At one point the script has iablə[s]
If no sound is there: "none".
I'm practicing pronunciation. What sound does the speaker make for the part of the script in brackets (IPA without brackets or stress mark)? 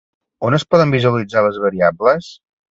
s